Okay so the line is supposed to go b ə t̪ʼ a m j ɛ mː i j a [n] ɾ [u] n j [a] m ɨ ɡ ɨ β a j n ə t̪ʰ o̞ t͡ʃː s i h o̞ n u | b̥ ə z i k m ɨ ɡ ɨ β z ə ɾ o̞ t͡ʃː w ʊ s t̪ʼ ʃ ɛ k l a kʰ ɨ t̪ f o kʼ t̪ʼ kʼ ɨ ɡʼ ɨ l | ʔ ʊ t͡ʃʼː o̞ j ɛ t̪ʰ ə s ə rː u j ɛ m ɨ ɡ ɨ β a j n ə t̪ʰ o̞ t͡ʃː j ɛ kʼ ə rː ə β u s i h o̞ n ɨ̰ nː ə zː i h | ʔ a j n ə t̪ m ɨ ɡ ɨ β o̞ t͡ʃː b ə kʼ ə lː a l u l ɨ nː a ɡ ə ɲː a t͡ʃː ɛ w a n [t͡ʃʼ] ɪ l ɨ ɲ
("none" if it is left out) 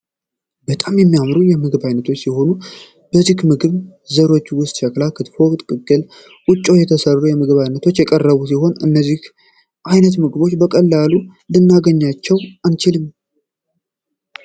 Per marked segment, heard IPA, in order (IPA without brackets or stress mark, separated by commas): m, u, ɛ, t͡ʃ